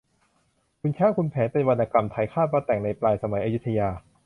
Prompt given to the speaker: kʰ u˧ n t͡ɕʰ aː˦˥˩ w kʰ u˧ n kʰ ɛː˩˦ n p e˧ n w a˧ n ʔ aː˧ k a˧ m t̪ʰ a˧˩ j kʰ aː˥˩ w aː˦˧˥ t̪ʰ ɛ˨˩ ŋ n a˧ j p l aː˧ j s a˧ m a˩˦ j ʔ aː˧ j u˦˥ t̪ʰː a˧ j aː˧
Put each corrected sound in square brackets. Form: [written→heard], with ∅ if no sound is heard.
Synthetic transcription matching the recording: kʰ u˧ n t͡ɕʰ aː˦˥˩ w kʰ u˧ n [kʰ→pʰ] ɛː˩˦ n p e˧ n w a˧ n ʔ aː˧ k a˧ m t̪ʰ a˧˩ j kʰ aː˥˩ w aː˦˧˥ [t̪ʰ→t̪] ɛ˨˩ ŋ n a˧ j p l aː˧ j s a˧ m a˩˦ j ʔ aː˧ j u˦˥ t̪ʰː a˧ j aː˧